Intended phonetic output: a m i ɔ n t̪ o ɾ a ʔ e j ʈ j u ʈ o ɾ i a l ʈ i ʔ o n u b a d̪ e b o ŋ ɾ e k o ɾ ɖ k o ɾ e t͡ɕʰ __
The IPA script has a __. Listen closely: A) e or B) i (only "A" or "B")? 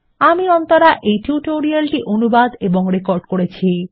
B